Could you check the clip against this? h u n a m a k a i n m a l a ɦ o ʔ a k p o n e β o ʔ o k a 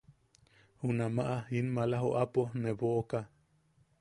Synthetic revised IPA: h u n a m a ʔ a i n m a l a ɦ o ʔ a p o n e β o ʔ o k a